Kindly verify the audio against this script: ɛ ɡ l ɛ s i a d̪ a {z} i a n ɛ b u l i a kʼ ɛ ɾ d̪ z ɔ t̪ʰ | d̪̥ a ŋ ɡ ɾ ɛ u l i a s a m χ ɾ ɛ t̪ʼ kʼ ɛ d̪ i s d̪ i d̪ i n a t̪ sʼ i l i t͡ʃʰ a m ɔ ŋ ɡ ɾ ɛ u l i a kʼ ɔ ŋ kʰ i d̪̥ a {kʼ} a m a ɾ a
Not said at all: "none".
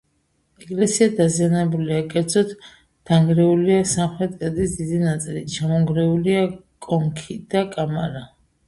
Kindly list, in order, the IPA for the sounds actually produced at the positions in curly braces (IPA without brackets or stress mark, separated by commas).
z, kʼ